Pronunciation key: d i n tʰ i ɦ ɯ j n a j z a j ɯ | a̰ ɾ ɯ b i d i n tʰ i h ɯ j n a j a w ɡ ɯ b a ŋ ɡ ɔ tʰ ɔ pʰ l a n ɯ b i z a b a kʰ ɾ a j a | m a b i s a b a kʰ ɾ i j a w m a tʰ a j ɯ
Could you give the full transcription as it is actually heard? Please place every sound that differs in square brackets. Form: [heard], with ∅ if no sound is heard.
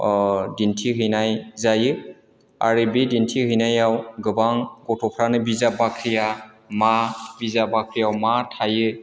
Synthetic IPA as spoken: d i n tʰ i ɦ ɯ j n a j z a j ɯ | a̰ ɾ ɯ b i d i n tʰ i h ɯ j n a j a w ɡ ɯ b a ŋ ɡ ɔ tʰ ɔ pʰ [ɾ] a n ɯ b i z a b a kʰ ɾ [i] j a | m a b i [z] a b a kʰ ɾ i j a w m a tʰ a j ɯ